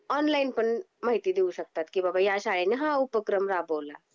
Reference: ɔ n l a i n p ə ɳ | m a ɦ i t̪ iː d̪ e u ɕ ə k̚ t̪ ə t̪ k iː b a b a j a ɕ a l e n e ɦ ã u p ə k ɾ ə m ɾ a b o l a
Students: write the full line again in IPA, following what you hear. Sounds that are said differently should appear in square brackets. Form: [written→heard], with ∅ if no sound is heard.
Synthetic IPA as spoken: ɔ n l a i n p ə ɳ | m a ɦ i t̪ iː d̪ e u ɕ ə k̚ t̪ [ə→a] t̪ k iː b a b a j a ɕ a [l→ɭ] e n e ɦ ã u p ə k ɾ ə m ɾ a b o l a

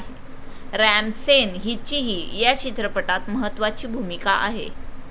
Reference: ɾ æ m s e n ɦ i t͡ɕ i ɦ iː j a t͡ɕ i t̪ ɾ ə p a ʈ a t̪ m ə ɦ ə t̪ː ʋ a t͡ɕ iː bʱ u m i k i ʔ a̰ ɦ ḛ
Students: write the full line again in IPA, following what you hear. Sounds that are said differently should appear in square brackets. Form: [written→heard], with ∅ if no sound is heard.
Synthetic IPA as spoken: ɾ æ m s e n ɦ i t͡ɕ i ɦ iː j a t͡ɕ i t̪ ɾ ə p [a→ə] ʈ a t̪ m ə ɦ ə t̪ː ʋ a t͡ɕ iː bʱ u m i k [i→a] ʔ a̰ ɦ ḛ

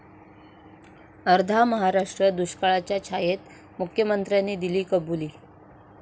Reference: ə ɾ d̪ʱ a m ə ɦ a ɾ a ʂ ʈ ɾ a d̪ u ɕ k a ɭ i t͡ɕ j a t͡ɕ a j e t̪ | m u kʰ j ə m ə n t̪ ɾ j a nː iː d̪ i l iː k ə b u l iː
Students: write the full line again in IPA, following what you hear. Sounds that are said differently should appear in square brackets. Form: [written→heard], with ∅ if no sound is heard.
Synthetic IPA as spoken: ə ɾ d̪ʱ a m ə ɦ a ɾ a ʂ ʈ ɾ [a→ə] d̪ u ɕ k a ɭ [i→a] t͡ɕ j a [t͡ɕ→t͡ɕʰ] a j e t̪ | m u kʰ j ə m ə n t̪ ɾ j a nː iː d̪ i l iː k ə b u l iː

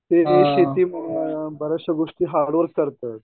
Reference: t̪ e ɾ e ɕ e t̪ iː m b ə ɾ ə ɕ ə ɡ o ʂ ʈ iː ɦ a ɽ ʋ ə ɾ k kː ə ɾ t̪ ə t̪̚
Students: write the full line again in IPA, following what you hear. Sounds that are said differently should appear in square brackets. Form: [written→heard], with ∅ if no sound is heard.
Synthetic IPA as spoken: t̪ e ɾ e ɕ e t̪ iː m b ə ɾ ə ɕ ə ɡ o ʂ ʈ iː ɦ a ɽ ʋ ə ɾ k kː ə ɾ t̪ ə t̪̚

